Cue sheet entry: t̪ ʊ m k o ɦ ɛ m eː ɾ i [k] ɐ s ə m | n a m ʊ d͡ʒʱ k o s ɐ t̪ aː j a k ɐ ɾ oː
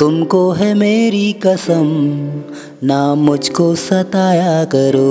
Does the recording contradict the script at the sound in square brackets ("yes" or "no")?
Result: no